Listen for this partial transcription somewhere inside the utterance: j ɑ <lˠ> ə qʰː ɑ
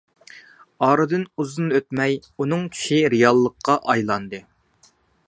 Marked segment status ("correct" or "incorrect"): incorrect